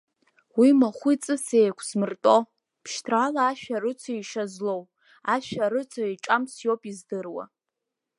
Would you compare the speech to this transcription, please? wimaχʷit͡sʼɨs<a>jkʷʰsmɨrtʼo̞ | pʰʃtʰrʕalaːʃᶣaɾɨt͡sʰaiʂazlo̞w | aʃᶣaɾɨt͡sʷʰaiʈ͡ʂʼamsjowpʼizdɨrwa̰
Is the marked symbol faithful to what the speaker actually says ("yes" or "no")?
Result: no